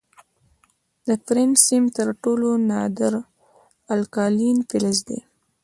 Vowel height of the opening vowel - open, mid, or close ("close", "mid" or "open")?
mid